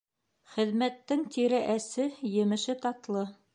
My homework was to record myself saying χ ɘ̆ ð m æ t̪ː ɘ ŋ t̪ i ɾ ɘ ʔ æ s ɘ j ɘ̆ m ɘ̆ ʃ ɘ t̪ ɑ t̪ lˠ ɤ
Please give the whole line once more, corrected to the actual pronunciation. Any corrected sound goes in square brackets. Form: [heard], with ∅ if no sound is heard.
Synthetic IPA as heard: χ ɘ̆ ð m æ t̪ː ɘ ŋ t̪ i ɾ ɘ ʔ æ s ɘ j ɘ̆ m ɘ̆ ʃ ɘ t̪ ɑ t̪ lˠ ɤ